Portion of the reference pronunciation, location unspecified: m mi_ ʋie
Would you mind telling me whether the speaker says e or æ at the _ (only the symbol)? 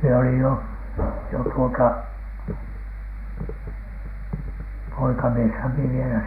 e